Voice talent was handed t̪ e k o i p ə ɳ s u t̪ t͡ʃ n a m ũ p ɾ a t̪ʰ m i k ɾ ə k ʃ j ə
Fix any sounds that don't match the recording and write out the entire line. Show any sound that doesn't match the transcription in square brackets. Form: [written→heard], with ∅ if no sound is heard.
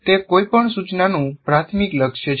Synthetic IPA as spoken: t̪ e k o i p ə ɳ s u [t̪→∅] t͡ʃ n a [m→n] ũ p ɾ a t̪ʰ m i k [ɾ→l] ə k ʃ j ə